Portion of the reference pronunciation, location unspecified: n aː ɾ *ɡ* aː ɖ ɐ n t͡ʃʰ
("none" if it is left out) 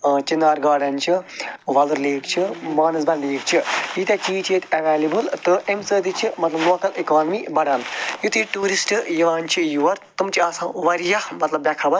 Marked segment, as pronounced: ɡ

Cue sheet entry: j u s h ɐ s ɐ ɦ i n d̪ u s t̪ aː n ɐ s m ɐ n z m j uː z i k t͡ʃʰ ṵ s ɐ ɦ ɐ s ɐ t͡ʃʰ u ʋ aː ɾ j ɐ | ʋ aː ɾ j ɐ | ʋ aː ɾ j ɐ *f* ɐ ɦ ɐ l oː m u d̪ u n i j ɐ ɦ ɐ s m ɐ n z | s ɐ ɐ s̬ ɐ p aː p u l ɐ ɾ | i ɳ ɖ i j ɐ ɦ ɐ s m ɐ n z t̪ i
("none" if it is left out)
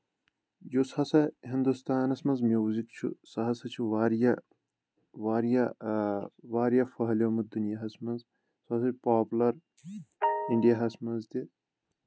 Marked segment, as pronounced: f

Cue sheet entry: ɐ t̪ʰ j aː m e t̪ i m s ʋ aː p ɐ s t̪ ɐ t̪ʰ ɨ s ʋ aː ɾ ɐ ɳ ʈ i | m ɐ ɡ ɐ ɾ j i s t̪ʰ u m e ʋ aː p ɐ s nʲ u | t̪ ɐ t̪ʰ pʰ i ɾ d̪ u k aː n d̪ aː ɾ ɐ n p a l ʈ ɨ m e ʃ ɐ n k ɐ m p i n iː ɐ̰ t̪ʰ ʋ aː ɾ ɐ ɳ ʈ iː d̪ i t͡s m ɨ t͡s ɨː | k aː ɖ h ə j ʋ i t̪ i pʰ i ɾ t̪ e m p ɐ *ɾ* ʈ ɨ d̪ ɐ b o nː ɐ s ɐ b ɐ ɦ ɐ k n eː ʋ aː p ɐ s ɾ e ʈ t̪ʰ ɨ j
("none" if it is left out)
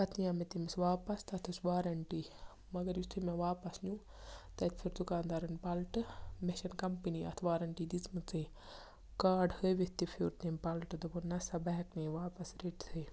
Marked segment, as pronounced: l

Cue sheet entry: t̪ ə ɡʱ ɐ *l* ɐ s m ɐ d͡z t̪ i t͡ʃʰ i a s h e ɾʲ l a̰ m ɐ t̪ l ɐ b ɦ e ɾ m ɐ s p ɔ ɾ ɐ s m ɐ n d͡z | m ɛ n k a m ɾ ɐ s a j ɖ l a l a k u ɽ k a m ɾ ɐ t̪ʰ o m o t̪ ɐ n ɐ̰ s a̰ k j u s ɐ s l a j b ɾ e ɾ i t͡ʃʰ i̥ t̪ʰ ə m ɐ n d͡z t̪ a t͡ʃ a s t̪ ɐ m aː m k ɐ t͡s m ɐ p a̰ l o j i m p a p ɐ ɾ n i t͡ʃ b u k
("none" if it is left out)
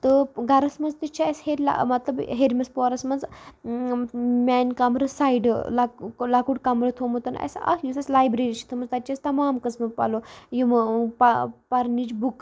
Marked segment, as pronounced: ɾ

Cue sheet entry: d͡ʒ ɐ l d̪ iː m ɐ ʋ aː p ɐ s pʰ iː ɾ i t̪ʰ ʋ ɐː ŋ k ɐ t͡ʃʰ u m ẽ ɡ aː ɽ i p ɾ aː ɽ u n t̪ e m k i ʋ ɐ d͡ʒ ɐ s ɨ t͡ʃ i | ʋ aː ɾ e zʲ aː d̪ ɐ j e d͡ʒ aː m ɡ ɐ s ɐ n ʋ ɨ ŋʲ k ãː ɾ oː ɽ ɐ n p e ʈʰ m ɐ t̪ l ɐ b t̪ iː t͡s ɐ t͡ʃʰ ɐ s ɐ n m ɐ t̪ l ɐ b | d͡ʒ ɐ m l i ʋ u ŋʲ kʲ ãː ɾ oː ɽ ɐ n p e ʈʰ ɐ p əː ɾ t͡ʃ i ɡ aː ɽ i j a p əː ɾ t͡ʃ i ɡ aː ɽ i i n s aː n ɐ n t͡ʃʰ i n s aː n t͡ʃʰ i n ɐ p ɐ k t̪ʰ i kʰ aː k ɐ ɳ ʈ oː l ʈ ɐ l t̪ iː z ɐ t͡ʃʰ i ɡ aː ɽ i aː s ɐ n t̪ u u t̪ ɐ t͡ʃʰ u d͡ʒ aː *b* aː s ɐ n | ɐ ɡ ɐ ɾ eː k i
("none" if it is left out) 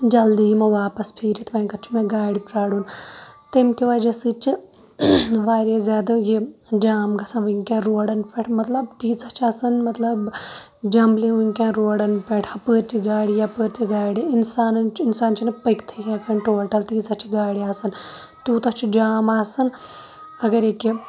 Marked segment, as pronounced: m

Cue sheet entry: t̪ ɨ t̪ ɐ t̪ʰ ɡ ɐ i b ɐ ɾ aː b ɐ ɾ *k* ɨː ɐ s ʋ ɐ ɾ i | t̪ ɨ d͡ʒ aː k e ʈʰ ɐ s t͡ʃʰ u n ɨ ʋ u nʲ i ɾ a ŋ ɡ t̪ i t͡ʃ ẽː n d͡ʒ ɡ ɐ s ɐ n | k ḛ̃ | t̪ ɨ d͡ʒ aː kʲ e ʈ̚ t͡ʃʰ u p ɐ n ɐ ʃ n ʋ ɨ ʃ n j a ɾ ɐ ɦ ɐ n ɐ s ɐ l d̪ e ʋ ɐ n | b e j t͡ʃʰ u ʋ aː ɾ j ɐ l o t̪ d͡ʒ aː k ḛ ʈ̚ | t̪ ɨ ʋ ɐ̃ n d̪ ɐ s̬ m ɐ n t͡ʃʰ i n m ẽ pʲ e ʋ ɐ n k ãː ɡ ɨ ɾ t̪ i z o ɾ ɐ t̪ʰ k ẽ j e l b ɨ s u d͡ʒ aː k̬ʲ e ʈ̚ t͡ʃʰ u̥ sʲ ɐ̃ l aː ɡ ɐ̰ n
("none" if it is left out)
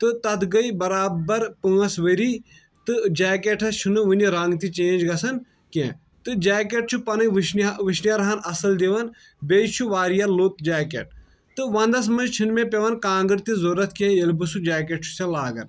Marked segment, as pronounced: p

